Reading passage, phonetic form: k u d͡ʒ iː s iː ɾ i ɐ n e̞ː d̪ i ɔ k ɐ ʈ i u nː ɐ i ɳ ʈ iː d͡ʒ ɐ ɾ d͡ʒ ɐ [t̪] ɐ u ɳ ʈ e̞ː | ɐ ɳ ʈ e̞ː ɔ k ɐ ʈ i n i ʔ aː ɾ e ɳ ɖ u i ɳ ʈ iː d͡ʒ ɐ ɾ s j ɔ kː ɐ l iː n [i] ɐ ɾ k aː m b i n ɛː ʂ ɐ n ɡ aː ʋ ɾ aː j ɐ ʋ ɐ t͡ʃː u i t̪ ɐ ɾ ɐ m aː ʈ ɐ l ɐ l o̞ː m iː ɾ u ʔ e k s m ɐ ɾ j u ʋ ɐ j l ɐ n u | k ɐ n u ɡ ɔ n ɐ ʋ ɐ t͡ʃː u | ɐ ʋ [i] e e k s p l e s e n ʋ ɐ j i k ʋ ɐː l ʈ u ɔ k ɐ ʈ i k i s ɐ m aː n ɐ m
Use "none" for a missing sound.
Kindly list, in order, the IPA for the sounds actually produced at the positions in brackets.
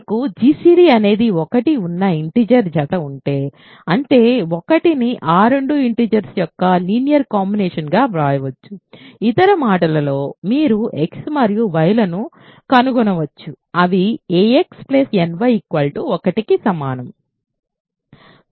t̪, j, i

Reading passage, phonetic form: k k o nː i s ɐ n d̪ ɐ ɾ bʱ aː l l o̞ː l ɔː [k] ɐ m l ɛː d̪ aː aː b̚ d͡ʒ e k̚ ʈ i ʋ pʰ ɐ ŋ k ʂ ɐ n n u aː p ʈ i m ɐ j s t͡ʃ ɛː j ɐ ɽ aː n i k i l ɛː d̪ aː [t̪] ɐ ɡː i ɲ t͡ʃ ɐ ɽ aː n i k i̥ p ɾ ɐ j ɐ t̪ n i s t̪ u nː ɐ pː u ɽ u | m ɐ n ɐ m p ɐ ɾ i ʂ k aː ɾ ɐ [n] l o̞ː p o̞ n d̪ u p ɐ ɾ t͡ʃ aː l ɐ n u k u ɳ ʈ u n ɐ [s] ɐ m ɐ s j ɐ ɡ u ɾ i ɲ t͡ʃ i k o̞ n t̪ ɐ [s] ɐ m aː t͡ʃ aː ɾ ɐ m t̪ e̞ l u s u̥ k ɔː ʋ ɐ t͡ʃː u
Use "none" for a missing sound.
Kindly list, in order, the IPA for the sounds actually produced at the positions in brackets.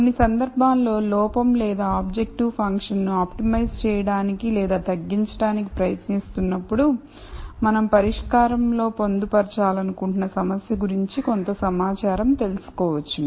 p, t̪, m, s, s

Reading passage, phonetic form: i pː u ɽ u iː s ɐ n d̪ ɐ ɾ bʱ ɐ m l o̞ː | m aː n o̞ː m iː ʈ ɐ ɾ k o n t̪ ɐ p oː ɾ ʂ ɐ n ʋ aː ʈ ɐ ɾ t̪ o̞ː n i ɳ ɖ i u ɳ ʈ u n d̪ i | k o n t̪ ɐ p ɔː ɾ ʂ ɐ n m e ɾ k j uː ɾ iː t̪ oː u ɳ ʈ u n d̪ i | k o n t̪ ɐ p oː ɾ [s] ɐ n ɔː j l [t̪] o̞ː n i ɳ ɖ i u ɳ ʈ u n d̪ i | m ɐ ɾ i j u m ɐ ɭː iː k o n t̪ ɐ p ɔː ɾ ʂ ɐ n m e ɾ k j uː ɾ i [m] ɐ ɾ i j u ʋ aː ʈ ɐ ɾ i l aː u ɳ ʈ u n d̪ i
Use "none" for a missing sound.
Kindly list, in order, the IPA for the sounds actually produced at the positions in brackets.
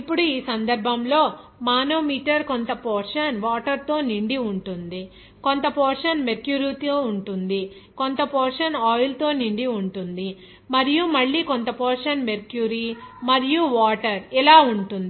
ʂ, t̪, m

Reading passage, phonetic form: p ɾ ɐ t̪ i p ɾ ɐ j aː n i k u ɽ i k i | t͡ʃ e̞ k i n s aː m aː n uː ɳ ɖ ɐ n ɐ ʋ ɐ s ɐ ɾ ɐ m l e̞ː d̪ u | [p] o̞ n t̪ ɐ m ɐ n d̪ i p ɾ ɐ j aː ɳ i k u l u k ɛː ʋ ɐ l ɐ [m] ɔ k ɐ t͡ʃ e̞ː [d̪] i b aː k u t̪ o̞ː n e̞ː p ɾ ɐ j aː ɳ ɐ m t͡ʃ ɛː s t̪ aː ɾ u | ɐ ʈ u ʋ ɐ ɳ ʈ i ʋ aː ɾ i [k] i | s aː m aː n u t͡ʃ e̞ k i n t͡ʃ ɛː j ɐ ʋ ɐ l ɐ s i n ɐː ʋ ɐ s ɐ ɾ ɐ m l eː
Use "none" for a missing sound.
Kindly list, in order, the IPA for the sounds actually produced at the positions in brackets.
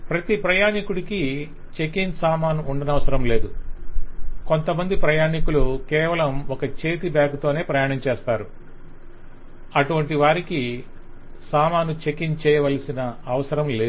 k, m, t̪, k

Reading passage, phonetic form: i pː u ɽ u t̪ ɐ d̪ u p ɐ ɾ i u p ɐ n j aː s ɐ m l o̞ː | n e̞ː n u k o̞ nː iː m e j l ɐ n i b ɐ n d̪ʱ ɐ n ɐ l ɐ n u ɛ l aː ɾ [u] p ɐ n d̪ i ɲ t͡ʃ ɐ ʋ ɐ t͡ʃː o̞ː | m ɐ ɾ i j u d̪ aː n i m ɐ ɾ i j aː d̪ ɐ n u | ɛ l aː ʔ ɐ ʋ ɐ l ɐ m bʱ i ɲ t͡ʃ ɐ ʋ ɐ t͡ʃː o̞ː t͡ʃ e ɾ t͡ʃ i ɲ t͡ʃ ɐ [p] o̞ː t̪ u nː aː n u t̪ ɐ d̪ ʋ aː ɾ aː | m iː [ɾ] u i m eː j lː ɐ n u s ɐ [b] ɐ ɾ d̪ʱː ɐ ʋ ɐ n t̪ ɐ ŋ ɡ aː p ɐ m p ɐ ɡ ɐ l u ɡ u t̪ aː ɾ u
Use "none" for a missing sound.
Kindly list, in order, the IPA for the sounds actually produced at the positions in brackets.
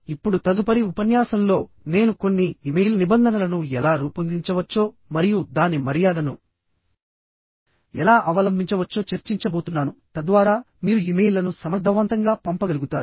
uː, b, ɾ, m

